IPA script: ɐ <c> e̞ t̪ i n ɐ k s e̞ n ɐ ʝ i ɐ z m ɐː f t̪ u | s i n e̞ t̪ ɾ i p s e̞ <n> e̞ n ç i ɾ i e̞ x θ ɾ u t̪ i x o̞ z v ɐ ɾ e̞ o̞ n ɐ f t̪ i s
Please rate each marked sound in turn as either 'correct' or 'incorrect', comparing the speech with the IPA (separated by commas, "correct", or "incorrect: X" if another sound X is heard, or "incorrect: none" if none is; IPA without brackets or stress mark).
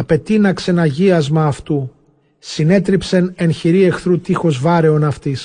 incorrect: p, correct